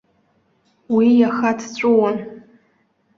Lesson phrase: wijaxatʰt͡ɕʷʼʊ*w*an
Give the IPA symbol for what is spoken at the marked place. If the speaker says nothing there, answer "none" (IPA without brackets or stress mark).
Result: w